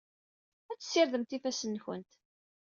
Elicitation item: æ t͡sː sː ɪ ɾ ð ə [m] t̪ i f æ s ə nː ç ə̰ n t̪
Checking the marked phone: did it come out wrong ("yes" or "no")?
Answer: no